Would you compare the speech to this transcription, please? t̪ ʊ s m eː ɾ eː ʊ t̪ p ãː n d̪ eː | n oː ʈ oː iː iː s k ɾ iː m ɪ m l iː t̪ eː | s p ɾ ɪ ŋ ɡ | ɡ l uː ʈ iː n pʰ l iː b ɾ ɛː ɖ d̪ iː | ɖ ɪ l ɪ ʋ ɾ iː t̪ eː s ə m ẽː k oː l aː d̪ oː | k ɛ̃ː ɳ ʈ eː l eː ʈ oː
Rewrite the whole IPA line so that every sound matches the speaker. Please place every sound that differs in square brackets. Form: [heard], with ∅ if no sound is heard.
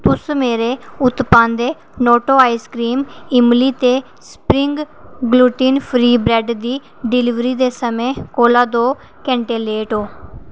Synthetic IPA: t̪ ʊ s m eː ɾ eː ʊ t̪ p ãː n d̪ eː | n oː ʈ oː [aː] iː s k ɾ iː m ɪ m l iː t̪ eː | s p ɾ ɪ ŋ ɡ | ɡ l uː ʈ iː n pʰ [ɾ] iː b ɾ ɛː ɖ d̪ iː | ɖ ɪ l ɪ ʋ ɾ iː [d̪] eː s ə m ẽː k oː l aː d̪ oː | k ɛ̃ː ɳ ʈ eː l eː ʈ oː